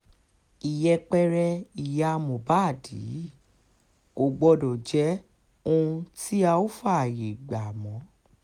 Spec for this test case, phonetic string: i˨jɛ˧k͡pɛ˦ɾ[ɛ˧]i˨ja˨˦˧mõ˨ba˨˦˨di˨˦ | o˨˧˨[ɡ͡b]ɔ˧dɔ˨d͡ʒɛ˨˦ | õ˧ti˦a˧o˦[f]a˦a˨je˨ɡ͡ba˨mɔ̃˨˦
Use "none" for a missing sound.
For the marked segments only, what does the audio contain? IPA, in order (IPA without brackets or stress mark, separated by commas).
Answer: ɛ˧, ɡ͡b, f